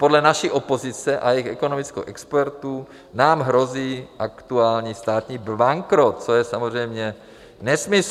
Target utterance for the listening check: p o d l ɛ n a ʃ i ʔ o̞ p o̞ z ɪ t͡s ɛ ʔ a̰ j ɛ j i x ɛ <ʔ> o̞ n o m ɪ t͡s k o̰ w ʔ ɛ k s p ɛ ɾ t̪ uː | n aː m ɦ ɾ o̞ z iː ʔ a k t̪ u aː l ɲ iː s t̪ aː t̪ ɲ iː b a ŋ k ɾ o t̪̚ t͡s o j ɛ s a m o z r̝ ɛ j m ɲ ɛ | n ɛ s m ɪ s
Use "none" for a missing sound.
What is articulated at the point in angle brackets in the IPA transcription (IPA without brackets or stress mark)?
k